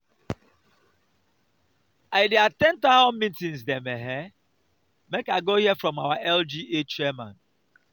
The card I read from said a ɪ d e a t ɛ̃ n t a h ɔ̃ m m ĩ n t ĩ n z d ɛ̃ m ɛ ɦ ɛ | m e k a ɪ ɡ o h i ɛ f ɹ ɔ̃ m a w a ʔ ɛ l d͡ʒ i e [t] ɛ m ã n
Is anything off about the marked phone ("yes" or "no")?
yes